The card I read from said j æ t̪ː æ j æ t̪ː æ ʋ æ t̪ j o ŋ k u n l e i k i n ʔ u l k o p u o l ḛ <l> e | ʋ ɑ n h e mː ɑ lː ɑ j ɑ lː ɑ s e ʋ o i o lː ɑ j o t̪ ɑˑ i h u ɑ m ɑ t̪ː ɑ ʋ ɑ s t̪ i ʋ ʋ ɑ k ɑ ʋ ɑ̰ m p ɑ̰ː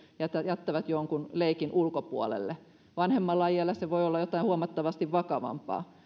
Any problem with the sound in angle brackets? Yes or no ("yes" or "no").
yes